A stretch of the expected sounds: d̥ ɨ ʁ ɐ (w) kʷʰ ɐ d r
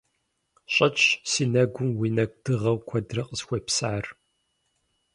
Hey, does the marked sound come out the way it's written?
yes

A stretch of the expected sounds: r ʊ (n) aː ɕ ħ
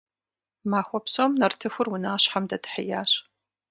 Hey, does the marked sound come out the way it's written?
yes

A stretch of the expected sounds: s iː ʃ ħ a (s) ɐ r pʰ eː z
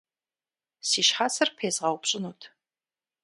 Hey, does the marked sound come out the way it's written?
yes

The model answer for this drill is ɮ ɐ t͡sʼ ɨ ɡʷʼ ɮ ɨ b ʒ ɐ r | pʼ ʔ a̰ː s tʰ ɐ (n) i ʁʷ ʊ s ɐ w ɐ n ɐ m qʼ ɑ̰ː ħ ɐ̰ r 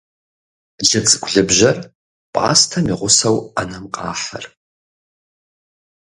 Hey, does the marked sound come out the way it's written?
no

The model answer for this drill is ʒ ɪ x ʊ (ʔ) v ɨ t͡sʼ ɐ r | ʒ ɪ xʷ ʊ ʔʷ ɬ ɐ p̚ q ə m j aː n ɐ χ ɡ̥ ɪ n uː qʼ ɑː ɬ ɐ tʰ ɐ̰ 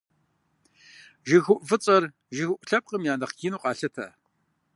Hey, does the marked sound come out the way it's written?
yes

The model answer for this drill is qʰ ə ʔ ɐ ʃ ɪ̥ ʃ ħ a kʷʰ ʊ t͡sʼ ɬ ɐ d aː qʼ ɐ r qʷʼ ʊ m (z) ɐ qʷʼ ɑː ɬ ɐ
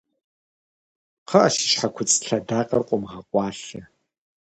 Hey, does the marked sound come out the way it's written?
no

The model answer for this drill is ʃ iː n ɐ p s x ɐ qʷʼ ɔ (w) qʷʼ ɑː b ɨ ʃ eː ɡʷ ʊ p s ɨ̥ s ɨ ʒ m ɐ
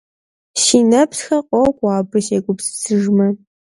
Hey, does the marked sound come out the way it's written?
yes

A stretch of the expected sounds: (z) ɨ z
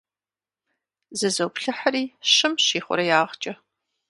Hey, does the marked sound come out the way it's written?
yes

